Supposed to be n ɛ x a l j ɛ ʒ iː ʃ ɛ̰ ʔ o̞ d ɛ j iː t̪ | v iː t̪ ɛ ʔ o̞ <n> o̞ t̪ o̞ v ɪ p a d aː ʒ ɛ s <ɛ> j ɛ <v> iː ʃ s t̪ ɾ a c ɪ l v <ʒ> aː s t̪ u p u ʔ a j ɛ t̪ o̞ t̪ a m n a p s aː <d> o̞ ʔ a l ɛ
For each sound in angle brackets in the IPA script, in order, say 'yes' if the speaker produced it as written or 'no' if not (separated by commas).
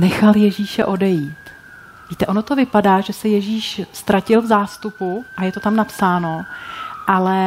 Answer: yes, yes, no, no, no